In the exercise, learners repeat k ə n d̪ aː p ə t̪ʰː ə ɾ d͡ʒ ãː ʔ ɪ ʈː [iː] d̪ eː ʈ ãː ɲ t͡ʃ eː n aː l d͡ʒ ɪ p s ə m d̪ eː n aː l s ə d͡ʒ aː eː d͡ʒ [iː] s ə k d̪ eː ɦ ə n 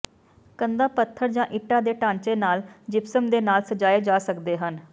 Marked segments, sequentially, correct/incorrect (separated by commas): incorrect, incorrect